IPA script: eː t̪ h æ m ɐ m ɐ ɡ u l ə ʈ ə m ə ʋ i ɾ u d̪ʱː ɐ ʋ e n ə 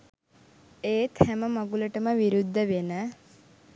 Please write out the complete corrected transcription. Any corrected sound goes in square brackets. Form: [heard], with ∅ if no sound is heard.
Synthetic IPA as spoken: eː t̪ h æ m [ə] m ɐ ɡ u l ə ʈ ə m ə ʋ i ɾ u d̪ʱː [ə] ʋ e n ə